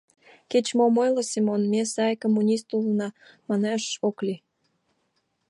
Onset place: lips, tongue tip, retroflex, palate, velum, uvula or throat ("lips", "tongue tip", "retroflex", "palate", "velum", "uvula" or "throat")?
velum